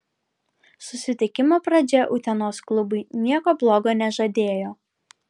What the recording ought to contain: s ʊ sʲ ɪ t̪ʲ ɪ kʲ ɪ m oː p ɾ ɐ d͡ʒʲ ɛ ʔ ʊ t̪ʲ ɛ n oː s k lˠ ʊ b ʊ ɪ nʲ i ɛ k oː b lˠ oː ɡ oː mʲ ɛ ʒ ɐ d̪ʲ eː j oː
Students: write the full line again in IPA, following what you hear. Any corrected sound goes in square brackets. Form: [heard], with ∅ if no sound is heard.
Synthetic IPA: s ʊ sʲ ɪ t̪ʲ ɪ kʲ ɪ m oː p ɾ ɐ d͡ʒʲ ɛ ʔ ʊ t̪ʲ ɛ n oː s k lˠ ʊ b ʊ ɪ nʲ i ɛ k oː b lˠ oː ɡ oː [nʲ] ɛ ʒ ɐ d̪ʲ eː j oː